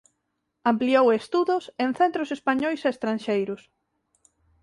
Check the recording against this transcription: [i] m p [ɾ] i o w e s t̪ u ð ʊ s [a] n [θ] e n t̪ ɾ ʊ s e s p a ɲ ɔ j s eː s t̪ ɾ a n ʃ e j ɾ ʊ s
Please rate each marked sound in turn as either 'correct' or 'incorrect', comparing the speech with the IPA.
incorrect, incorrect, incorrect, correct

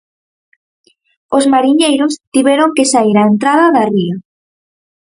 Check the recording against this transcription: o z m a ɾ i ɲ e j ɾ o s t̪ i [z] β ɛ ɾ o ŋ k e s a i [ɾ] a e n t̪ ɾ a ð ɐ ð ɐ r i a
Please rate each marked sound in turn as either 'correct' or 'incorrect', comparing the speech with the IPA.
incorrect, correct

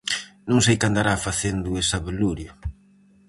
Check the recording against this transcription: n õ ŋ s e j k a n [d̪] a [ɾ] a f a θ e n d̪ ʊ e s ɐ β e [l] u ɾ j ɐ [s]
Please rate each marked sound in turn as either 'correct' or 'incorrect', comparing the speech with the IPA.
correct, correct, correct, incorrect

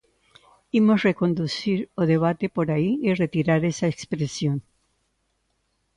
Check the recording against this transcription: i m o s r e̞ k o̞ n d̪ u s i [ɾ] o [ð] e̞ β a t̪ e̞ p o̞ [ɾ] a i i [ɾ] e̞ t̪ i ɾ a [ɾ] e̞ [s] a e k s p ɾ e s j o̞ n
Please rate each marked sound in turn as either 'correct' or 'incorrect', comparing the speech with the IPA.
correct, correct, correct, incorrect, correct, correct

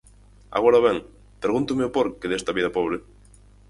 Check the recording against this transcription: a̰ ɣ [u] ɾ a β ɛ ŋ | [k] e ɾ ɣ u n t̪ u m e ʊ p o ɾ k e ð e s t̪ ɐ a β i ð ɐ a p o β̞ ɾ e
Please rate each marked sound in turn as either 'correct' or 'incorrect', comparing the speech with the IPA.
incorrect, incorrect

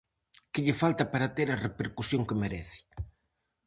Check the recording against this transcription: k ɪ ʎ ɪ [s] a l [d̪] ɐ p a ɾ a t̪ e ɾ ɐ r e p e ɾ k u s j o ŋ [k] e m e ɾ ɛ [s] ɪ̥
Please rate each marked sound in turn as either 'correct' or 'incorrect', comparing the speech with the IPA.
incorrect, incorrect, correct, incorrect

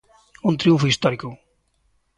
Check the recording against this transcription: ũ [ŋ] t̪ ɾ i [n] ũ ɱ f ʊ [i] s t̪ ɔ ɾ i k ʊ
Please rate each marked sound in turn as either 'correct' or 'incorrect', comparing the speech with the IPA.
incorrect, incorrect, correct

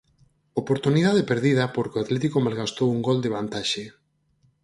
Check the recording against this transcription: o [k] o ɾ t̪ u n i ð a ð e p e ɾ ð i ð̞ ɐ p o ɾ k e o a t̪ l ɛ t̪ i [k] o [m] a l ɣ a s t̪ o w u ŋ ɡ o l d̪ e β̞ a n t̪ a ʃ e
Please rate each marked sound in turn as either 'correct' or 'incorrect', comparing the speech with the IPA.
incorrect, correct, correct

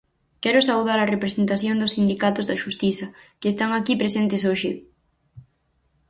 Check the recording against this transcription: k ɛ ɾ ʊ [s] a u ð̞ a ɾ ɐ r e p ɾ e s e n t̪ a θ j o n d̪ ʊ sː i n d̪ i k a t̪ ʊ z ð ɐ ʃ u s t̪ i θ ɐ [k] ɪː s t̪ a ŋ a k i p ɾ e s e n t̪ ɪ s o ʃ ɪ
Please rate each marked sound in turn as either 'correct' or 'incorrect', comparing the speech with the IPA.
correct, correct

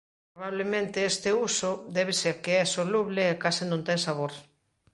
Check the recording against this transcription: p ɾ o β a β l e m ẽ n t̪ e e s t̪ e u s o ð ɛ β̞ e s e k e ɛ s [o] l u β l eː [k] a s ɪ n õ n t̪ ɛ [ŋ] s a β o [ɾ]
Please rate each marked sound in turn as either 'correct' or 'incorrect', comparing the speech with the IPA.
correct, correct, correct, correct

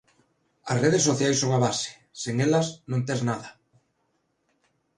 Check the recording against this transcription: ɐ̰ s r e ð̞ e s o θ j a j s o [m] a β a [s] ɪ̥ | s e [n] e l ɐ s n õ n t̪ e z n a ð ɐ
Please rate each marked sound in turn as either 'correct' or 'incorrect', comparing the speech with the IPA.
incorrect, correct, incorrect

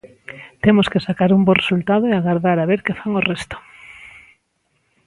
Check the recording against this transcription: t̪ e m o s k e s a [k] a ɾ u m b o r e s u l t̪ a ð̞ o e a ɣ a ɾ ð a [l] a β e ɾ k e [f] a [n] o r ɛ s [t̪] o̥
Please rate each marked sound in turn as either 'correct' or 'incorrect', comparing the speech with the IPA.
correct, incorrect, correct, incorrect, correct

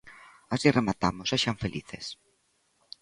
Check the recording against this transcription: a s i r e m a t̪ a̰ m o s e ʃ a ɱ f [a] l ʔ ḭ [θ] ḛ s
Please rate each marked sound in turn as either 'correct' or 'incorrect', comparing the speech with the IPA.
incorrect, correct

